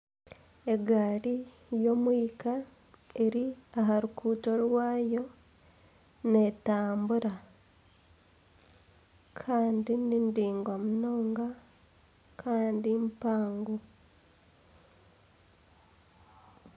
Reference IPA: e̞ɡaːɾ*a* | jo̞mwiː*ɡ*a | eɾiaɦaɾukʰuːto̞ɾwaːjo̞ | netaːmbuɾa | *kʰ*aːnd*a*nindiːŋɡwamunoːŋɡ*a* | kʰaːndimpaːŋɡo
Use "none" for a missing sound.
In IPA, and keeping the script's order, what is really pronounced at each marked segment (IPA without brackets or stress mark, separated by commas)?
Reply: i, k, kʰ, i, a